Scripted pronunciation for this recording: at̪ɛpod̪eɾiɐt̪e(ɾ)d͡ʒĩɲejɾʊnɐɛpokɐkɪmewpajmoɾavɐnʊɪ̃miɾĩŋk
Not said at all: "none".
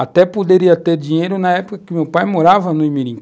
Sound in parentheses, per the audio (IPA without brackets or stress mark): ɾ